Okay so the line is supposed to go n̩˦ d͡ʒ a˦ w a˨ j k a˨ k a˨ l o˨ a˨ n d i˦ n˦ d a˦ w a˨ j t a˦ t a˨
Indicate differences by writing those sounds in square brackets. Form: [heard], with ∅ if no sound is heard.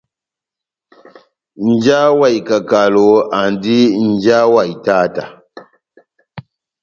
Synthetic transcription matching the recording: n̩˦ d͡ʒ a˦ w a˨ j k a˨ k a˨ l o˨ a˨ n d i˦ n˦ [d͡ʒ] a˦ w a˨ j t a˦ t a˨